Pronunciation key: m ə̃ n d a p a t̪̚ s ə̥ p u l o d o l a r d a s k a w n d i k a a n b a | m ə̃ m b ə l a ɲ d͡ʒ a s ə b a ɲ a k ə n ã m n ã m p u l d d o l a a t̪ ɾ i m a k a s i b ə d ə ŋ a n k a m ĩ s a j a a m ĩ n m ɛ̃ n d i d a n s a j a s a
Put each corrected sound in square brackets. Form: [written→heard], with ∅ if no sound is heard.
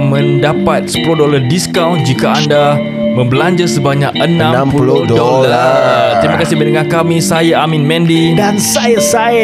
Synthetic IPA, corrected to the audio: m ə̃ n d a p a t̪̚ s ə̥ p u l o d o l a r d [a→i] s k a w n [d→d͡ʒ] i k a a n [b→d] a | m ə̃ m b ə l a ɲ d͡ʒ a s ə b a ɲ a k ə n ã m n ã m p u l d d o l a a t̪ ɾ i m a k a s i b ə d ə ŋ a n k a m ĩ s a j a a m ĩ n m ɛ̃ n d i d a n s a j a s a